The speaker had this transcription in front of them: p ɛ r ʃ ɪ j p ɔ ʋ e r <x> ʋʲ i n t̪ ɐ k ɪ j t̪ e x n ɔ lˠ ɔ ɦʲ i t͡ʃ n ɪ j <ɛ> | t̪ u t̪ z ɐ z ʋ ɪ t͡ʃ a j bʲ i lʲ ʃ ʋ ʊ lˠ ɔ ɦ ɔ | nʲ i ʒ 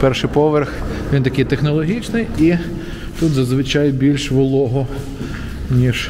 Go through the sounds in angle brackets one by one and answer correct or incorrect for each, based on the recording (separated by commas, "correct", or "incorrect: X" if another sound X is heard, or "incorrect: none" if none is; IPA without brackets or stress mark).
correct, incorrect: i